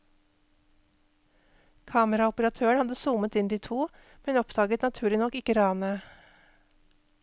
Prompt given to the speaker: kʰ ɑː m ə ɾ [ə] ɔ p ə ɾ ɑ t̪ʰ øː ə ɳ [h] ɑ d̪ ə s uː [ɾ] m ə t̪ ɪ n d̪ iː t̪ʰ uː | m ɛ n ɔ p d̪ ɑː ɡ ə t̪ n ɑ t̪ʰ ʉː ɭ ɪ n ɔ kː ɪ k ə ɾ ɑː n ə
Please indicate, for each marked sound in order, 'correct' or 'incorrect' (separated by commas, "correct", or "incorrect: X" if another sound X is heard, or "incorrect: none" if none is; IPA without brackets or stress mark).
incorrect: ɑ, correct, incorrect: none